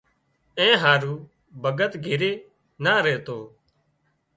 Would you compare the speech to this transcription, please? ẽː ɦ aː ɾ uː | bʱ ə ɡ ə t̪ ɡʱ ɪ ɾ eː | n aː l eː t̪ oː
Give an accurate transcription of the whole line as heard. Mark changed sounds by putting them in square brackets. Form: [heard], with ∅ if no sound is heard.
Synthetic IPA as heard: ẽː ɦ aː ɾ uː | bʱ ə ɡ ə t̪ ɡʱ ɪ ɾ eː | n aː [ɾ] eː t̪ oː